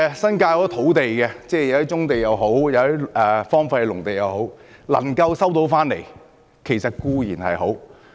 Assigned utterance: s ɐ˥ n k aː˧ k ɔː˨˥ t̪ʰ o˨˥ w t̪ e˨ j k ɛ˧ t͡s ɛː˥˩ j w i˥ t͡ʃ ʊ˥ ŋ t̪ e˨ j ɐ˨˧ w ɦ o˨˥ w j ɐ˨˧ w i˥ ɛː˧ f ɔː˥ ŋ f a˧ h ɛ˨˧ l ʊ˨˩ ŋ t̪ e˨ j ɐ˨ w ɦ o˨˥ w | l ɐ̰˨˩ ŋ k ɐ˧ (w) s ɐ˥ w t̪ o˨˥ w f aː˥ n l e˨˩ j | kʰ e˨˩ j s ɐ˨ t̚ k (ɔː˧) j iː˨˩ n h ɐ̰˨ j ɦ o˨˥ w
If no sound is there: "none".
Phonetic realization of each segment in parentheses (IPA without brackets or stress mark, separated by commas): w, uː˧